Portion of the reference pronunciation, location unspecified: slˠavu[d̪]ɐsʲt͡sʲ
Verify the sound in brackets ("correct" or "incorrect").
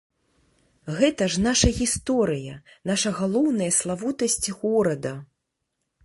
incorrect